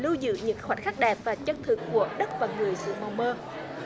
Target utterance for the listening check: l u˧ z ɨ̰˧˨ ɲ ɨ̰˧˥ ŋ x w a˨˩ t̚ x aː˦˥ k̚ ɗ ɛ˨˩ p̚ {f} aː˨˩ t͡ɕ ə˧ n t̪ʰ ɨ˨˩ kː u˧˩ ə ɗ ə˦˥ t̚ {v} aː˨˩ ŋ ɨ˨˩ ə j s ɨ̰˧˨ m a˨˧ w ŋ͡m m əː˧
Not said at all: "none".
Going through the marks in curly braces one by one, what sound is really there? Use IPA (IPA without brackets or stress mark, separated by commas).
v, v